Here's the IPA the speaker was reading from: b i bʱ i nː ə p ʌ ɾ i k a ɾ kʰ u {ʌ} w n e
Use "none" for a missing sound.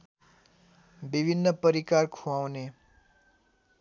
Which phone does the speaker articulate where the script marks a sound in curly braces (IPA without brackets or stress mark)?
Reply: a